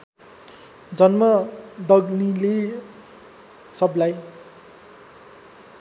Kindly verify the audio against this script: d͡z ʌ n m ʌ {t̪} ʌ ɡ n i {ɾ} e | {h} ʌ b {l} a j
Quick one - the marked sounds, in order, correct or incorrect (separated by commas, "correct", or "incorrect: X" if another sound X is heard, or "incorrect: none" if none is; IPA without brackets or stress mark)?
incorrect: d̪, incorrect: l, incorrect: s, correct